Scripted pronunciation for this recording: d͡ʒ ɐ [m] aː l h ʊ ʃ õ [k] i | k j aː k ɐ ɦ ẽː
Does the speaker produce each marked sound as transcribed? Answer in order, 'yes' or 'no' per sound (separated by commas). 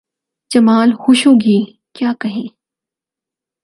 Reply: yes, no